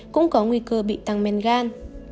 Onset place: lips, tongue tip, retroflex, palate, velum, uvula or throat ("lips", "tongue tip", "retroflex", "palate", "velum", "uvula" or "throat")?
velum